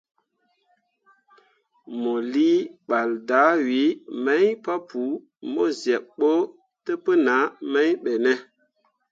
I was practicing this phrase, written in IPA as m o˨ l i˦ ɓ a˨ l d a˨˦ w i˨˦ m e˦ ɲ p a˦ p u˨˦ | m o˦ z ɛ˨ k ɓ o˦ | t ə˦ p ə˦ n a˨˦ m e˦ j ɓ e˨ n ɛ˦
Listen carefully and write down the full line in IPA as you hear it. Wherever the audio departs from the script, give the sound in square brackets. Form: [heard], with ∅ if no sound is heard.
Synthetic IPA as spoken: m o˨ l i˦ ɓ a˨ l d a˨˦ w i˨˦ m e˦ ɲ p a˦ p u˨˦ | m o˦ z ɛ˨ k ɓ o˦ | t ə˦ p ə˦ n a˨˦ m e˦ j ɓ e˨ n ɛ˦

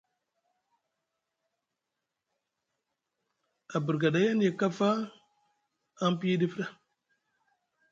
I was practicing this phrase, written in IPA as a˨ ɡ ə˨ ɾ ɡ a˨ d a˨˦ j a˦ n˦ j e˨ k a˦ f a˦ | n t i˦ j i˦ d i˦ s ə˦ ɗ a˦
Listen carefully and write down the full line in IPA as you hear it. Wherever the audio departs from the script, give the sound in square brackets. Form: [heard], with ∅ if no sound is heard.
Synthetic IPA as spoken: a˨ [b] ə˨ ɾ ɡ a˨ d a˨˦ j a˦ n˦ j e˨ k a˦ f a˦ | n [p] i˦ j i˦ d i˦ [f] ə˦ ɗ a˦

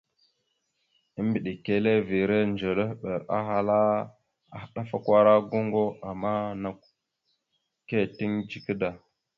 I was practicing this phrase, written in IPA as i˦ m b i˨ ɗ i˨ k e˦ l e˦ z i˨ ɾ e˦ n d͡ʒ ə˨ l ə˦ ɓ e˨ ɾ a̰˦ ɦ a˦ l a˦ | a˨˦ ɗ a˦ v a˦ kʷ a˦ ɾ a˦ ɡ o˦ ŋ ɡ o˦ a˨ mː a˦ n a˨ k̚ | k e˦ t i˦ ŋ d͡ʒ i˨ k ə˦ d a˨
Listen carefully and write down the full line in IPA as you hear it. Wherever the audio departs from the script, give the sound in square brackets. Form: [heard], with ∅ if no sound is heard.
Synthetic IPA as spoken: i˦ m b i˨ ɗ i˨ k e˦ l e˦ [v] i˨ ɾ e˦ n d͡ʒ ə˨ l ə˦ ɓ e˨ ɾ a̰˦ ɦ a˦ l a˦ | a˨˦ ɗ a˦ [f] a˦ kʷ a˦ ɾ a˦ ɡ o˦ ŋ ɡ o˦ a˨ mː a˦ n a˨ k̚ | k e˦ t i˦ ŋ d͡ʒ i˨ k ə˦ d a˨

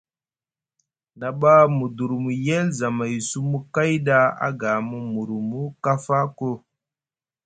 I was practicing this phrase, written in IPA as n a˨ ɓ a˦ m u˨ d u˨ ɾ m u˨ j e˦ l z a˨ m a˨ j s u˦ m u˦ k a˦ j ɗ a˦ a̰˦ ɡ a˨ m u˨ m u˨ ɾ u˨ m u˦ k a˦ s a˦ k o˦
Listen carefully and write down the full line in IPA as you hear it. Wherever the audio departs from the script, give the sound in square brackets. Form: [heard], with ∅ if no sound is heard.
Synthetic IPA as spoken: n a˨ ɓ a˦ m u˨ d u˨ ɾ m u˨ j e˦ l z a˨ m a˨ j s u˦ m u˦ k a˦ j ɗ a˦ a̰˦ ɡ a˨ m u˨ m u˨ ɾ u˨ m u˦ k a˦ [f] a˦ k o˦

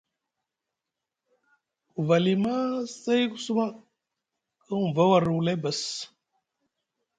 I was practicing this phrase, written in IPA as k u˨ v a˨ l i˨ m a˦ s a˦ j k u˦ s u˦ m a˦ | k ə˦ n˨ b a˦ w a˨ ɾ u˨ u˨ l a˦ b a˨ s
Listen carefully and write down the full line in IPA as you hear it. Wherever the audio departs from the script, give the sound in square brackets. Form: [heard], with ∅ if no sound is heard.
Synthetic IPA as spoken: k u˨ v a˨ l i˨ m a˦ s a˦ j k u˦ s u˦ m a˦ | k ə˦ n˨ [v] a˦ w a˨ ɾ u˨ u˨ l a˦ b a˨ s

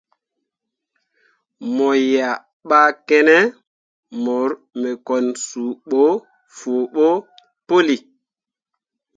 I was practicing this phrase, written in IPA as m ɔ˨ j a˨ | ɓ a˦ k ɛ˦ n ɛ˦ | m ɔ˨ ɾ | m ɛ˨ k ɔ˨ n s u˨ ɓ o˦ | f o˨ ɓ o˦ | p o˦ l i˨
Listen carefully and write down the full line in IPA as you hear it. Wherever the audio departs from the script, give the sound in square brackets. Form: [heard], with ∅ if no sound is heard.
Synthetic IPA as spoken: m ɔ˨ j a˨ | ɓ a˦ k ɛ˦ n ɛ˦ | m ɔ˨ ɾ | m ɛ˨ k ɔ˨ n s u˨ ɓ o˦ | f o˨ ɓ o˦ | p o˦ l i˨

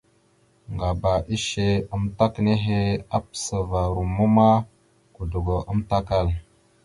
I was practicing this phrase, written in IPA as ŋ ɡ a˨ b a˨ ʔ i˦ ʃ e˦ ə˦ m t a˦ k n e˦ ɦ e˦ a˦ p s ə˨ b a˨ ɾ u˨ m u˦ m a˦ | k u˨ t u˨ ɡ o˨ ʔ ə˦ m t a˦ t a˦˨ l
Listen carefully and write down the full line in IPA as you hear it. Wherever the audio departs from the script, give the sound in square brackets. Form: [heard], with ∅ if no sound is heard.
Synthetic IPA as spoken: ŋ ɡ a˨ b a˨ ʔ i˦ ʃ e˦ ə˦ m t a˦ k n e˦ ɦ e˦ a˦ p s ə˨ [v] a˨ ɾ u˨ m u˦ m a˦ | k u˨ [d] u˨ ɡ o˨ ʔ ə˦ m t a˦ [k] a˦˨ l

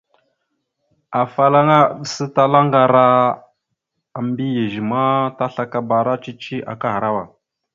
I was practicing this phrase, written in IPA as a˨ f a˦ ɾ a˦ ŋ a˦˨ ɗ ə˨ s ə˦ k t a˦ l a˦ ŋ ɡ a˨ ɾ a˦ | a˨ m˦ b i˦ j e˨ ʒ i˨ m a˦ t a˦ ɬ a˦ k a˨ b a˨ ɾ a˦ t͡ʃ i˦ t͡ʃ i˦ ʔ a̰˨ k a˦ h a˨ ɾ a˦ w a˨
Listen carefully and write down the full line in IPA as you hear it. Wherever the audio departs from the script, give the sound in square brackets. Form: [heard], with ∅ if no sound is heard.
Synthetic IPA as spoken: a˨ f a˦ [l] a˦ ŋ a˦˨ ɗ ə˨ s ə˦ [∅] t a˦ l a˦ ŋ ɡ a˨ ɾ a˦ | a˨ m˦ b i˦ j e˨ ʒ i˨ m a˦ t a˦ ɬ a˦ k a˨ b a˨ ɾ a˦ t͡ʃ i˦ t͡ʃ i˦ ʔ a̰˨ k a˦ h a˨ ɾ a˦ w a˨

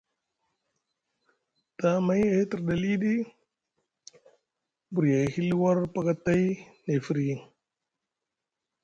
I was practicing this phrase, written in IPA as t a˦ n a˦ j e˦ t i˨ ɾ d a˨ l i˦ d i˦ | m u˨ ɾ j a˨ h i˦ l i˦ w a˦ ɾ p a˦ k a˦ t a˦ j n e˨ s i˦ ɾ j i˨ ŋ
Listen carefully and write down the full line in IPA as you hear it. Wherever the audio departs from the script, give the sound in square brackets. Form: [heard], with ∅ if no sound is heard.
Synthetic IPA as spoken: t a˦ [m] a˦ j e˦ t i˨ ɾ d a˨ l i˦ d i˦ | [b] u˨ ɾ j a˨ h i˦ l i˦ w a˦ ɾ p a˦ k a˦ t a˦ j n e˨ [f] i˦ ɾ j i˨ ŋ

